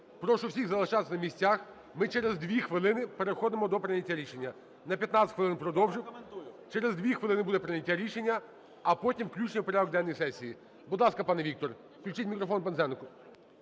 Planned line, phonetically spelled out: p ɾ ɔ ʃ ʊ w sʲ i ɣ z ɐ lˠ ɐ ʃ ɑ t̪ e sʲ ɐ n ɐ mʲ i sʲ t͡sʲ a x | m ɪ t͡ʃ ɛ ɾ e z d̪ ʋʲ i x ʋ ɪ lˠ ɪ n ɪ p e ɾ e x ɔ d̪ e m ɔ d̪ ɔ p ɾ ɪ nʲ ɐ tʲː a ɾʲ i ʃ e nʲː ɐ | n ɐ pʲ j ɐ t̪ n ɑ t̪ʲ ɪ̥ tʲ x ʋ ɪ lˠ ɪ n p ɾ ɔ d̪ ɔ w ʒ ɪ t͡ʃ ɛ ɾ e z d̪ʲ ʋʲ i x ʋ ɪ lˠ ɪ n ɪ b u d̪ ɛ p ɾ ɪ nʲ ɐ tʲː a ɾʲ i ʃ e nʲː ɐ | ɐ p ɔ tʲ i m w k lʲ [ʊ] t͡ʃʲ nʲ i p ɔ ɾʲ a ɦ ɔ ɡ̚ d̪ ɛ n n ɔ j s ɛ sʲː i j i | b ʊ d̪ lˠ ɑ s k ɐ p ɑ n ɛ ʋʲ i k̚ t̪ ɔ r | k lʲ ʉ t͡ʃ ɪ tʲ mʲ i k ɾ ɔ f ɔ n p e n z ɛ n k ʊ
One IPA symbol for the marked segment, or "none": u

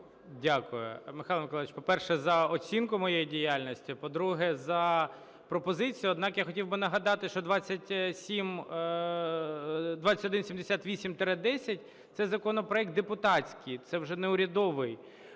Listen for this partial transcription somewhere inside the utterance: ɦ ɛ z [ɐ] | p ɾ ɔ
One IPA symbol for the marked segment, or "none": ɐ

